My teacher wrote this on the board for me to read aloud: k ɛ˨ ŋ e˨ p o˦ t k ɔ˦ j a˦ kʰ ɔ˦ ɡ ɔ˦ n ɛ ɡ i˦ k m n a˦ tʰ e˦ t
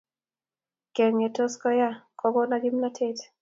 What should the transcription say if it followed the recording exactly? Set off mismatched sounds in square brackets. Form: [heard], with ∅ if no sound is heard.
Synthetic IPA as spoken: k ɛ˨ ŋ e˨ [t] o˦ [s] k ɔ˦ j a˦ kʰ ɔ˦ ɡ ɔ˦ n [a] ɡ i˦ [∅] m n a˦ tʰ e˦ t